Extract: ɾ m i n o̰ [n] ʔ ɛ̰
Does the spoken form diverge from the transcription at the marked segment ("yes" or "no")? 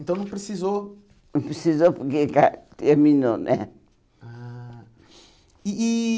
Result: no